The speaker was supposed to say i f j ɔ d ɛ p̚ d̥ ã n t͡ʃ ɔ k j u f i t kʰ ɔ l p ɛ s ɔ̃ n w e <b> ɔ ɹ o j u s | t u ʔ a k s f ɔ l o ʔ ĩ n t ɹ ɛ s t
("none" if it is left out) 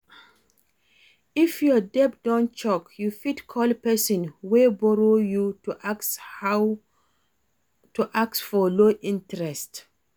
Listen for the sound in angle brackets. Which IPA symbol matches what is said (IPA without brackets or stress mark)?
b